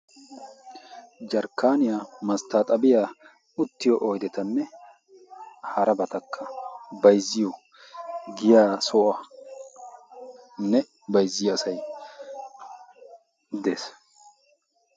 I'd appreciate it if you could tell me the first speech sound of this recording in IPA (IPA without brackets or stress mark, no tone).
d͡ʒ